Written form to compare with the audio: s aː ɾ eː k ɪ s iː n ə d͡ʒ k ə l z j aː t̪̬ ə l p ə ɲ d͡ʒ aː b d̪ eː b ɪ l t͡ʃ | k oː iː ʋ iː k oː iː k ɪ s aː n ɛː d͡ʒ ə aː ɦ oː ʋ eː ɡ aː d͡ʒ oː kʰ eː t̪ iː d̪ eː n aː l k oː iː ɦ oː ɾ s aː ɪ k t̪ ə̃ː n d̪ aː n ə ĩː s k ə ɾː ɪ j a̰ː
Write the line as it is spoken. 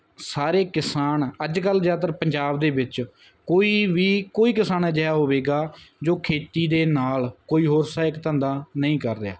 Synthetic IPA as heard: s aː ɾ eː k ɪ s aː n ə d͡ʒ k ə l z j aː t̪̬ ə ɾ p ə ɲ d͡ʒ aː b d̪ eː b ɪ t͡ʃ | k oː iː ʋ iː k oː iː k ɪ s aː n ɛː d͡ʒ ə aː ɦ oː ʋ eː ɡ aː d͡ʒ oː kʰ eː t̪ iː d̪ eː n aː l k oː iː ɦ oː ɾ s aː ɪ k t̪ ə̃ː n d̪ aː n ə ĩː k ə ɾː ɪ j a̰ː

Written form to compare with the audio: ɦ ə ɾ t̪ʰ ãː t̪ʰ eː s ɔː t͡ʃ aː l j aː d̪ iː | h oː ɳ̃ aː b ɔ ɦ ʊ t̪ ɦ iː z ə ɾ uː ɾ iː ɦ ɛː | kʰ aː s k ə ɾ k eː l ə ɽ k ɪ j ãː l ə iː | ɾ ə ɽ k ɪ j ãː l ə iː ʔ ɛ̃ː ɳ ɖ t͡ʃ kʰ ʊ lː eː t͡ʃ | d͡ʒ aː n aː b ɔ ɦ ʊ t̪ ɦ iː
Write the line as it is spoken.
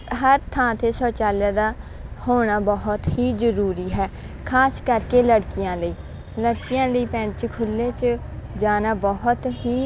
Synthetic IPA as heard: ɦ ə ɾ t̪ʰ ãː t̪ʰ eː s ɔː t͡ʃ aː l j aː d̪ aː | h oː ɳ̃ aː b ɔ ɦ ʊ t̪ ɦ iː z ə ɾ uː ɾ iː ɦ ɛː | kʰ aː s k ə ɾ k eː l ə ɽ k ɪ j ãː l ə iː | l ə ɽ k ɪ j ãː l ə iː p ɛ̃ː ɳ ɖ t͡ʃ kʰ ʊ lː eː t͡ʃ | d͡ʒ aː n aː b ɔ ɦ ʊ t̪ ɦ iː

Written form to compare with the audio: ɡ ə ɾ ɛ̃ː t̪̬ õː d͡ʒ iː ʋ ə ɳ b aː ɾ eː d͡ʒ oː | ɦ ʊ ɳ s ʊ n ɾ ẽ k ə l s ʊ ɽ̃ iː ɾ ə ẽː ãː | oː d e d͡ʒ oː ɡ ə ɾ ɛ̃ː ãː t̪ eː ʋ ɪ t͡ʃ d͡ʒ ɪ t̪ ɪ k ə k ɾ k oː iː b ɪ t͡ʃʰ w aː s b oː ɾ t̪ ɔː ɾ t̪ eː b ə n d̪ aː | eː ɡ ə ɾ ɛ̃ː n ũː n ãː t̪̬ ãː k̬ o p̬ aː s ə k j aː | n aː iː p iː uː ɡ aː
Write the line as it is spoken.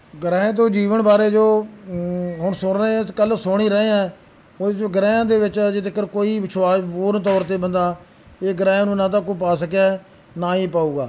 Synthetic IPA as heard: ɡ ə ɾ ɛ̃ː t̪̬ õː d͡ʒ iː ʋ ə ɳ b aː ɾ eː d͡ʒ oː | ɦ ʊ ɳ s ʊ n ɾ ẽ k ə l s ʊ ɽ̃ iː ɾ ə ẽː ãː | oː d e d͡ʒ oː ɡ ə ɾ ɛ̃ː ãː d̪ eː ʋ ɪ t͡ʃ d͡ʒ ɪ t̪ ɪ k ə ɾ k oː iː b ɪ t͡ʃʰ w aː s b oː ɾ t̪ ɔː ɾ t̪ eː b ə n d̪ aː | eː ɡ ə ɾ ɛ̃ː n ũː n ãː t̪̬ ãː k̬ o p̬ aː s ə k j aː | n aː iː p aː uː ɡ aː

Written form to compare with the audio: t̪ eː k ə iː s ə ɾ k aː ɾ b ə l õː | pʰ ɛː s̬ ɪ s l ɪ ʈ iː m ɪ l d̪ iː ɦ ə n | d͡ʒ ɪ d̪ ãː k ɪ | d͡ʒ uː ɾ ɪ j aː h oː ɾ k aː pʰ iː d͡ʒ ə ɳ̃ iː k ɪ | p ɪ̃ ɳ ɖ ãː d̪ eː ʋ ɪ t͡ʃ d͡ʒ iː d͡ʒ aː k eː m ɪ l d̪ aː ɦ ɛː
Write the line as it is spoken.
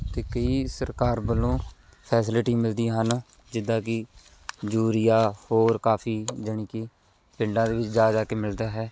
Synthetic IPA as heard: t̪ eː k ə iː s ə ɾ k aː ɾ b ə l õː | pʰ ɛː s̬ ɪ l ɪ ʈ iː m ɪ l d̪ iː ɦ ə n | d͡ʒ ɪ d̪ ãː k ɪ | d͡ʒ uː ɾ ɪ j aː h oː ɾ k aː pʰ iː d͡ʒ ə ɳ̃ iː k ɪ | p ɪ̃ ɳ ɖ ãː d̪ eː ʋ ɪ t͡ʃ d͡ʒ aː d͡ʒ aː k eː m ɪ l d̪ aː ɦ ɛː

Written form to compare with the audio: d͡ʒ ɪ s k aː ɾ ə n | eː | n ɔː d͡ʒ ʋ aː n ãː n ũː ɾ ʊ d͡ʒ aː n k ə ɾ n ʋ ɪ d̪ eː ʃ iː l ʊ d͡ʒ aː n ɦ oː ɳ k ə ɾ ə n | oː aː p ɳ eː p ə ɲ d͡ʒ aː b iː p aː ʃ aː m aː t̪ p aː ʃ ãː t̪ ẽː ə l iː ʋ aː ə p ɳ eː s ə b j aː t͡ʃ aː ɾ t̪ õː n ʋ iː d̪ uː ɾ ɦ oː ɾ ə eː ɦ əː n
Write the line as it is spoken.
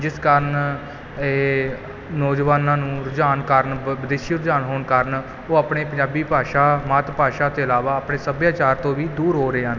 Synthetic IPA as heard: d͡ʒ ɪ s k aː ɾ ə n | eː | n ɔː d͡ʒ ʋ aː n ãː n ũː ɾ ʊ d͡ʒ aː n k ə ɾ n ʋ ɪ d̪ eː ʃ iː ɾ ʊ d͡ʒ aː n ɦ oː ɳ k ə ɾ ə n | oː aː p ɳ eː p ə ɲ d͡ʒ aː b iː p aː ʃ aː m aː t̪ p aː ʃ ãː t̪ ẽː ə l aː ʋ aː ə p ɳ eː s ə b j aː t͡ʃ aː ɾ t̪ õː ʋ iː d̪ uː ɾ ɦ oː ɾ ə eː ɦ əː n

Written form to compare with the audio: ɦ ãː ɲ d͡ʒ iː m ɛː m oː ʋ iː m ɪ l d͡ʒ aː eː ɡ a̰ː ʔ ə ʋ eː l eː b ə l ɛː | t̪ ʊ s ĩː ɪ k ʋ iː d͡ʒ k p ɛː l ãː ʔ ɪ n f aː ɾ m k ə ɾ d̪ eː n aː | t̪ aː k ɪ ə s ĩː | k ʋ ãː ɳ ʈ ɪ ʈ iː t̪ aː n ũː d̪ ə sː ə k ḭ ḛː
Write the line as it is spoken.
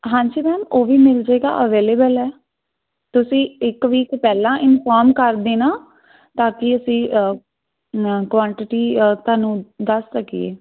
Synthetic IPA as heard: ɦ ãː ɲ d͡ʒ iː m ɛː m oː ʋ iː m ɪ l d͡ʒ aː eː ɡ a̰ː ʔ ə ʋ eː l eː b ə l ɛː | t̪ ʊ s ĩː ɪ k ʋ iː k p ɛː l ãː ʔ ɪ n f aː ɾ m k ə ɾ d̪ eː n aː | t̪ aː k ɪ ə s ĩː | k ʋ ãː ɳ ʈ ɪ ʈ iː t̪ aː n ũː d̪ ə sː ə k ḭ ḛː

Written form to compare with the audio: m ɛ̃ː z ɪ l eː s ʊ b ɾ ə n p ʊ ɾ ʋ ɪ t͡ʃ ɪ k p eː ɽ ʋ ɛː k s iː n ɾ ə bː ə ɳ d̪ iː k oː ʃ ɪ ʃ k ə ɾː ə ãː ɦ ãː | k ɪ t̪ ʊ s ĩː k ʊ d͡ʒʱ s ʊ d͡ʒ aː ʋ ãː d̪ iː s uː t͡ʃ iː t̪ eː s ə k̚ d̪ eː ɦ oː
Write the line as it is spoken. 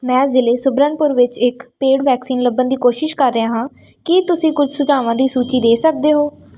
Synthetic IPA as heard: m ɛ̃ː z ɪ l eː s ʊ b ɾ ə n p ʊ ɾ ʋ ɪ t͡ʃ ɪ k p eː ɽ ʋ ɛː k s iː n l ə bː ə n d̪ iː k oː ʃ ɪ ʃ k ə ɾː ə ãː ɦ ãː | k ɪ t̪ ʊ s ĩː k ʊ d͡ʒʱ s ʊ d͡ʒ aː ʋ ãː d̪ iː s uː t͡ʃ iː d̪ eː s ə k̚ d̪ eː ɦ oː

